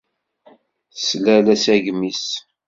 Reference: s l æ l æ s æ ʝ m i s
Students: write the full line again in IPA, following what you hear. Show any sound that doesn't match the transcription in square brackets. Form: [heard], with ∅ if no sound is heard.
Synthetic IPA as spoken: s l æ l æ s æ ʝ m i s